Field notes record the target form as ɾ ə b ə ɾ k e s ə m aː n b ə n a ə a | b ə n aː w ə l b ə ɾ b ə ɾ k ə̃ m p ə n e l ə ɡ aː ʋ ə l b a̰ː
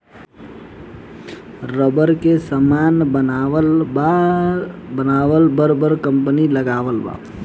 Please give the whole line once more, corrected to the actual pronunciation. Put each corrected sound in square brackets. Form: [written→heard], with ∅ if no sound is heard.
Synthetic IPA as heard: ɾ ə b ə ɾ k e s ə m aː n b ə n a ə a | b ə n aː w ə l b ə ɾ b ə ɾ k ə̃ m p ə n [e→i] l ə ɡ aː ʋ ə l b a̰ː